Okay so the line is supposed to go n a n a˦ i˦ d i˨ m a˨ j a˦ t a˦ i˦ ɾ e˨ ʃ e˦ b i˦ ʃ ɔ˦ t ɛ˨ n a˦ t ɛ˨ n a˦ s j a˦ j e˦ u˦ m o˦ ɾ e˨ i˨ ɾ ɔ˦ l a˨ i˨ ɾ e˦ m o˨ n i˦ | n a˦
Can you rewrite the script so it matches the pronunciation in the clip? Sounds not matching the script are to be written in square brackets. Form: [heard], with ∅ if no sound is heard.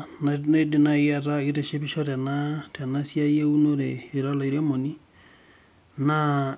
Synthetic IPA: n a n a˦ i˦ d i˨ [n] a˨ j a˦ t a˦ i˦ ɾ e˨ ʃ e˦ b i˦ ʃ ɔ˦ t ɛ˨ n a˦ t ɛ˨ n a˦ s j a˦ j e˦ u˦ [n] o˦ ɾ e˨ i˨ ɾ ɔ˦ l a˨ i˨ ɾ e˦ m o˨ n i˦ | n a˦

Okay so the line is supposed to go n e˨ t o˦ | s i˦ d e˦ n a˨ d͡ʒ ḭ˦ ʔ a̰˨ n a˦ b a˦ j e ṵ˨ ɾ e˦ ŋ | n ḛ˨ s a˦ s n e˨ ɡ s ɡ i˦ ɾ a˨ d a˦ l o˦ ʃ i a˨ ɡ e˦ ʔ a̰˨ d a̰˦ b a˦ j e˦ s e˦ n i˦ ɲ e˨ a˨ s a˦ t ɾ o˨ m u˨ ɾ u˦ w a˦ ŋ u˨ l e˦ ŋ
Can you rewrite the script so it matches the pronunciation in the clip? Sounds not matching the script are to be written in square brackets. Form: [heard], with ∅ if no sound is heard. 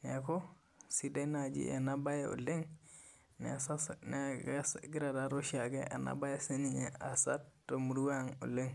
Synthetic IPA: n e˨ [k] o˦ | s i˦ d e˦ n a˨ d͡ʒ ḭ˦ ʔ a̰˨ n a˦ b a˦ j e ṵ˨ [l] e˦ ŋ | n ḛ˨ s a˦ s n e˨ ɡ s ɡ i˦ ɾ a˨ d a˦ [ɾ] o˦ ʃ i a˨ ɡ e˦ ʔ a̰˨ [n] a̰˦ b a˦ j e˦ s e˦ n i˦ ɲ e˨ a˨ s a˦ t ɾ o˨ m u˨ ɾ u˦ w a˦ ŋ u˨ l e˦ ŋ

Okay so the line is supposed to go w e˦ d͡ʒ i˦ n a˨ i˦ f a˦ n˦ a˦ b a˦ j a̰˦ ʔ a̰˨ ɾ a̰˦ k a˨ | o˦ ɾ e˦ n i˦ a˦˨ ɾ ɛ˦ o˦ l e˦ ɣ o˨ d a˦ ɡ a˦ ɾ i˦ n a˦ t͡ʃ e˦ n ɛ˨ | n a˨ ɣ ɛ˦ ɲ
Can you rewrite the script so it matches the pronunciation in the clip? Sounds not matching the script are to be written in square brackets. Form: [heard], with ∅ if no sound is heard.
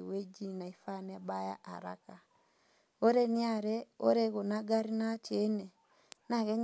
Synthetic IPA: w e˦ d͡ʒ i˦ n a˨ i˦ f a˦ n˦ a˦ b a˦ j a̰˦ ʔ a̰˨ ɾ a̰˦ k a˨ | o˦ ɾ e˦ n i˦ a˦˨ ɾ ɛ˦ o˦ [ɾ] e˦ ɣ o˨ [n] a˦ ɡ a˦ ɾ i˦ n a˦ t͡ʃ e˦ n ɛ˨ | n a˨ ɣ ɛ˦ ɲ

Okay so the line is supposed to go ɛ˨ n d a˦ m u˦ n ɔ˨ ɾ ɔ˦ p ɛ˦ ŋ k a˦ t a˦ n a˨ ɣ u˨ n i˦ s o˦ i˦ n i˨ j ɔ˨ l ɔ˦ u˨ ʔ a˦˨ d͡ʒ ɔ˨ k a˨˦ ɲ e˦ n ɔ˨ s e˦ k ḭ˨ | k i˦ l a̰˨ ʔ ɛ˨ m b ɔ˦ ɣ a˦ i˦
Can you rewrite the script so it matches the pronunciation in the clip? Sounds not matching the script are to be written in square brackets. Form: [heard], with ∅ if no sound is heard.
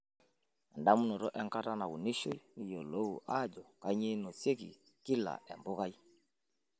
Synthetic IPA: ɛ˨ n d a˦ m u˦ n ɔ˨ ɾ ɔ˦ [ʔ] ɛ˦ ŋ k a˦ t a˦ n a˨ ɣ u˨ n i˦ [ʃ] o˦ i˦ n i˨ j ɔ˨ l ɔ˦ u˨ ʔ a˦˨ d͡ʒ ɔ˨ k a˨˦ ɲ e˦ n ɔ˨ s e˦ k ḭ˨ | k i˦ l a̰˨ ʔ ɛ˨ m b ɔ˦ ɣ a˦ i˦

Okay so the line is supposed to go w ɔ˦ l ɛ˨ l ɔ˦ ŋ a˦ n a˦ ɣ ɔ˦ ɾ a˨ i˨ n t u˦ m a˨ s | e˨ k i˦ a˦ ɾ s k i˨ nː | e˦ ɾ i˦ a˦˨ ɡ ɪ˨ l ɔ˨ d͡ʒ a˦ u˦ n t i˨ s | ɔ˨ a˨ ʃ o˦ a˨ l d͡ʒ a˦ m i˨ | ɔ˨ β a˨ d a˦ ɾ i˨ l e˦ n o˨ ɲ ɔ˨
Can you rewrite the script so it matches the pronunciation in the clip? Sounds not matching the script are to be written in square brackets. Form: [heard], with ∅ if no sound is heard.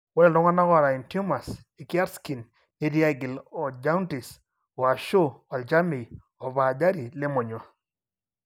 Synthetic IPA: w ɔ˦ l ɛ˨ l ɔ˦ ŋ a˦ n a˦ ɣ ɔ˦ ɾ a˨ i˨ n t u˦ m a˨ s | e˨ k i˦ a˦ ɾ s k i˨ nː | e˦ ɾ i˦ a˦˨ ɡ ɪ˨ l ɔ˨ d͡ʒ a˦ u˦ n t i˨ s | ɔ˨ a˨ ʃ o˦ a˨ l d͡ʒ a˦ m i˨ | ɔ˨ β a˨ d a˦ ɾ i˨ l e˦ [m] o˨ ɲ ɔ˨

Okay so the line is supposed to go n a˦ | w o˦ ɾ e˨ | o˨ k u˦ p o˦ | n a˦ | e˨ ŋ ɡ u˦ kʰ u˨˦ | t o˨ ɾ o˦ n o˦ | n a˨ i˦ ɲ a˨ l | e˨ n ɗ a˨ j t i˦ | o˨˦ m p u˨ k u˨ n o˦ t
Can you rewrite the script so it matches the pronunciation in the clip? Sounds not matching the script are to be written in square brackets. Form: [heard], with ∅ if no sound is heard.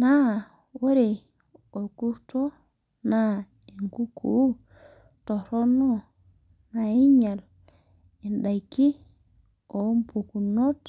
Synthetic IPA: n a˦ | w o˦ ɾ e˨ | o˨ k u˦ [t] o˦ | n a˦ | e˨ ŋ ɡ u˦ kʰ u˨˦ | t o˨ ɾ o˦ n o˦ | n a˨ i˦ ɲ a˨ l | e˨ n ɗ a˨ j [k] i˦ | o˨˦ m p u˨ k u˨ n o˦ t

